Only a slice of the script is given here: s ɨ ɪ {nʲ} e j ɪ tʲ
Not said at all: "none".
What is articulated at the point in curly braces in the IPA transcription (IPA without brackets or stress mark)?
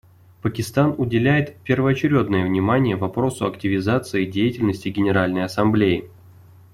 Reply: dʲ